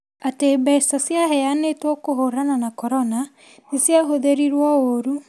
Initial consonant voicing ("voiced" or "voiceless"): voiceless